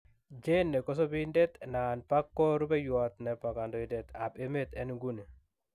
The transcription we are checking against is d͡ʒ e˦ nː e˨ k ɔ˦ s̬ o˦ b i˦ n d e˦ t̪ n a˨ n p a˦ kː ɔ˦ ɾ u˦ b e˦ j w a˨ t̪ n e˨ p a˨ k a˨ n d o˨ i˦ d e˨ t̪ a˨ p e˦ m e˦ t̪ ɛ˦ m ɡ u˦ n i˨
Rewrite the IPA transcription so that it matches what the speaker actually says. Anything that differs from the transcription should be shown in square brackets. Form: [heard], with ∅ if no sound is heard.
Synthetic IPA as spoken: d͡ʒ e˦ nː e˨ k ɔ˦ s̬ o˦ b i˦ n d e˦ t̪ n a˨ n p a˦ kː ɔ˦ ɾ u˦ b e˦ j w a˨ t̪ n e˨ p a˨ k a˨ n d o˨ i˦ d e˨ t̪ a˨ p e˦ m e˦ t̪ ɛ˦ [n] ɡ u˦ n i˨